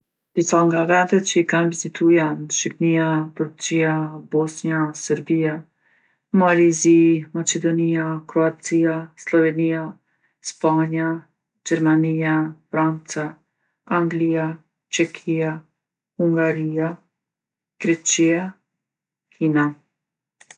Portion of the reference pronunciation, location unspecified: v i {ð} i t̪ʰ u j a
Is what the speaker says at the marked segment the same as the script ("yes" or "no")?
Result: no